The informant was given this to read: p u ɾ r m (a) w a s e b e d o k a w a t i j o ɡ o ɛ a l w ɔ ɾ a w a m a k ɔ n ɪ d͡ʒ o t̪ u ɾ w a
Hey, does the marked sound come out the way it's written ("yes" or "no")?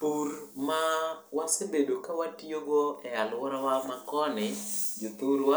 yes